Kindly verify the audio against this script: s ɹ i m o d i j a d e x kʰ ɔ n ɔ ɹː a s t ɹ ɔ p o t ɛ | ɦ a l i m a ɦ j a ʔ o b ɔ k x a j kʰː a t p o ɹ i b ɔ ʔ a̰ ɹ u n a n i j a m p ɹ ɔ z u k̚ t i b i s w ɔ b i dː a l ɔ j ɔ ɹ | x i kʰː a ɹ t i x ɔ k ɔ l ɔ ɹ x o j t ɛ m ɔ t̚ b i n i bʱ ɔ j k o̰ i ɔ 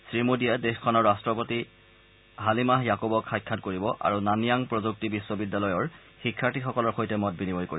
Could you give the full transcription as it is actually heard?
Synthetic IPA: s ɹ i m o d i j a d e x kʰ ɔ n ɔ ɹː a s t ɹ ɔ p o t i | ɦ a l i m a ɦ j a k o b ɔ k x a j kʰː a t k o ɹ i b ɔ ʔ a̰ ɹ u n a n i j a ŋ p ɹ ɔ z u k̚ t i b i s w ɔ b i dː a l ɔ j ɔ ɹ | x i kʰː a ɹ t i x ɔ k ɔ l ɔ ɹ x o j t ɛ m ɔ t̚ b i n i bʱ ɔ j k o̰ i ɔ

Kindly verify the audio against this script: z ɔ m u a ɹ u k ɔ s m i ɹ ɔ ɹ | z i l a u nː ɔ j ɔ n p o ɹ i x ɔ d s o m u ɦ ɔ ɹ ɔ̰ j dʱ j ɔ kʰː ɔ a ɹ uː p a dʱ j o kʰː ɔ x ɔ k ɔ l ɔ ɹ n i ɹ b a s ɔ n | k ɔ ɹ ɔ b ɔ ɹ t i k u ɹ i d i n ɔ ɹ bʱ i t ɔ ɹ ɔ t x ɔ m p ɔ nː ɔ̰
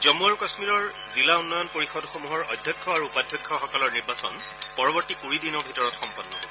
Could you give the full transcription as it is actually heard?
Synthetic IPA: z ɔ m u a ɹ u k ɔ s m i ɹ ɔ ɹ | z i l a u nː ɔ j ɔ n p o ɹ i x ɔ d x o m u ɦ ɔ ɹ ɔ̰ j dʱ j ɔ kʰː ɔ a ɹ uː p a dʱ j ɔ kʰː ɔ x ɔ k ɔ l ɔ ɹ n i ɹ b a s ɔ n | p ɔ ɹ ɔ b ɔ ɹ t i k u ɹ i d i n ɔ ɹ bʱ i t ɔ ɹ ɔ t x ɔ m p ɔ nː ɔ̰

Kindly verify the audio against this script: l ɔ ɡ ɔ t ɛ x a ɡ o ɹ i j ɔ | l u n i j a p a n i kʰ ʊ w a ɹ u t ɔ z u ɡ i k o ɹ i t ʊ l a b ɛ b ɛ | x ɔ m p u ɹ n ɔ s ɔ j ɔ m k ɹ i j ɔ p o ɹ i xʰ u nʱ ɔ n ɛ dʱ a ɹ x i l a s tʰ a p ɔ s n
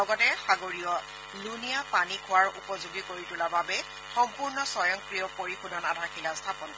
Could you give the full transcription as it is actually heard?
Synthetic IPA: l ɔ ɡ ɔ t ɛ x a ɡ o ɹ i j ɔ | l u n i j a p a n i kʰ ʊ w a ɹ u p ɔ z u ɡ i k o ɹ i t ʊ l a b a b ɛ | x ɔ m p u ɹ n ɔ s ɔ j ɔ ŋ k ɹ i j ɔ p o ɹ i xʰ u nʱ ɔ n a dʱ a ɹ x i l a s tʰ a p ɔ n

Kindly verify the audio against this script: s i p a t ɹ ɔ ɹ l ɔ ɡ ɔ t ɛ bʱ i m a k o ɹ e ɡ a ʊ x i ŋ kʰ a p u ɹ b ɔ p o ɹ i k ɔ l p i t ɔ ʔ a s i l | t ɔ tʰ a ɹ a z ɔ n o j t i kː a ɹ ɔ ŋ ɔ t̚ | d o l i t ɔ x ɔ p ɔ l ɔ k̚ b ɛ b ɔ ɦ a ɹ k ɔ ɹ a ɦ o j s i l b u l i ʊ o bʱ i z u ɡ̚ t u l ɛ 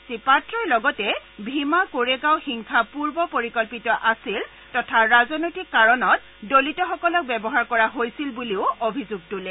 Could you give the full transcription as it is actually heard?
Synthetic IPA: s i p a t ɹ ɔ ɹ l ɔ ɡ ɔ t ɛ bʱ i m a k o ɹ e ɡ a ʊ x i ŋ kʰ a p u ɹ b ɔ p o ɹ i k ɔ l p i t ɔ ʔ a s i l | t ɔ tʰ a ɹ a z ɔ n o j t i kː a ɹ ɔ n ɔ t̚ | d o l i t ɔ x ɔ k ɔ l ɔ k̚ b ɛ b ɔ ɦ a ɹ k ɔ ɹ a ɦ o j s i l b u l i ʊ o bʱ i z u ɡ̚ t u l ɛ

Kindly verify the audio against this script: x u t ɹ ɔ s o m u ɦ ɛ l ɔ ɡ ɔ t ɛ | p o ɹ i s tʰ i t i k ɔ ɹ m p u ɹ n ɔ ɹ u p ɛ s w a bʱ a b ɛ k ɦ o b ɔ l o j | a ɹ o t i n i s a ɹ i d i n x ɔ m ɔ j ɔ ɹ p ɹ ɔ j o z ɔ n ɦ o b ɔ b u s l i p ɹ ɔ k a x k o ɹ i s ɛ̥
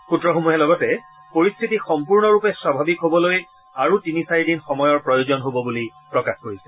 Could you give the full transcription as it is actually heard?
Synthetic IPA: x u t ɹ ɔ x o m u ɦ ɛ l ɔ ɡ ɔ t ɛ | p o ɹ i s tʰ i t i x ɔ m p u ɹ n ɔ ɹ u p ɛ s w a bʱ a b i k ɦ o b ɔ l o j | a ɹ u t i n i s a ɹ i d i n x ɔ m ɔ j ɔ ɹ p ɹ ɔ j o z ɔ n ɦ o b ɔ b u l i p ɹ ɔ k a x k o ɹ i s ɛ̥

